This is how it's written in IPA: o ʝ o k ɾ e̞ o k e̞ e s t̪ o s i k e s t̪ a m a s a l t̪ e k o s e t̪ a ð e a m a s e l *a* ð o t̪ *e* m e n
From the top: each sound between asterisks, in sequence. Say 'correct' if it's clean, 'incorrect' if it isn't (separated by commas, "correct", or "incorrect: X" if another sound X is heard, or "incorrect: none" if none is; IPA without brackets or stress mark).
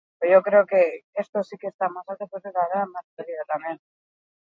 incorrect: i, incorrect: a